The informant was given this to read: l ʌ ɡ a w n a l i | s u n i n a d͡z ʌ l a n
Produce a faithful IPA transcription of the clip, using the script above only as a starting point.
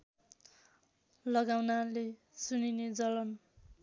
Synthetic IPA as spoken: l ʌ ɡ a w n a l e | s u n i n e d͡z ʌ l ʌ n